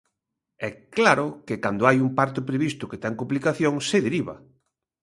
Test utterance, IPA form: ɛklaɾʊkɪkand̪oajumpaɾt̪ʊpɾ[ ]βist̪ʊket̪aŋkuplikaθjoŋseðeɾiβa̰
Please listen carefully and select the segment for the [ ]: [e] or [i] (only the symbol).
e